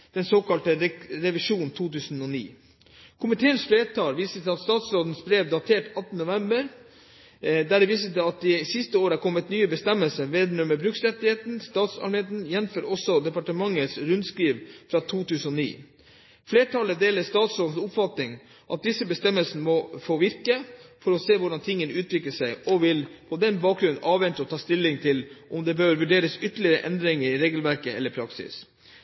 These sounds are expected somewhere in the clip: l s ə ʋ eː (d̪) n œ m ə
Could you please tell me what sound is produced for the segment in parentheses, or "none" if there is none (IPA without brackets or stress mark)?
d̪